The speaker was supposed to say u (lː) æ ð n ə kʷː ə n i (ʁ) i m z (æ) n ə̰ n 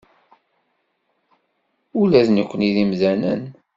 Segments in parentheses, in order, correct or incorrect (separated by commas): incorrect, incorrect, correct